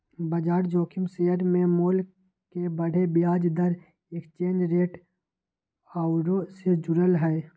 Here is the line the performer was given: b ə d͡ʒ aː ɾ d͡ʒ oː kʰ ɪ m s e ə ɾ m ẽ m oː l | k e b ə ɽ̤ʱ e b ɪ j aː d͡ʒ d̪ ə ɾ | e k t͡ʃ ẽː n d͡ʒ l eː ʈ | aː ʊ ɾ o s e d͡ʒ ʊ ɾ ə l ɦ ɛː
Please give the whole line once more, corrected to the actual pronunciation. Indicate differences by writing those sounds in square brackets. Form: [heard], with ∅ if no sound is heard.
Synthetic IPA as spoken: b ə d͡ʒ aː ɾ d͡ʒ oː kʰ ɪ m s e ə ɾ m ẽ m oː l | k e b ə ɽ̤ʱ e b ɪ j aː d͡ʒ d̪ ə ɾ | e k t͡ʃ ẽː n d͡ʒ [ɾ] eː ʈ | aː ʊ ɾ o s e d͡ʒ ʊ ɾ ə l ɦ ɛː